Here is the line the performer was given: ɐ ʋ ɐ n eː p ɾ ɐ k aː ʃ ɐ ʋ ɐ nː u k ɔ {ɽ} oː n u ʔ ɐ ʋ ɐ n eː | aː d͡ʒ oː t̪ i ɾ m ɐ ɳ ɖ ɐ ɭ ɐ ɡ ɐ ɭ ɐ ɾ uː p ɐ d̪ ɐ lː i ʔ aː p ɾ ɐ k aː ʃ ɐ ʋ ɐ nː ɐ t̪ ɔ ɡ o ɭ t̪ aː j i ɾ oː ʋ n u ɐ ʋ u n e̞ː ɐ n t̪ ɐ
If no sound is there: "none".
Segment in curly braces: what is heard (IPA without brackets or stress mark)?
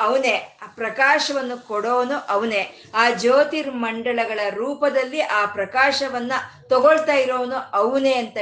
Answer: ɽ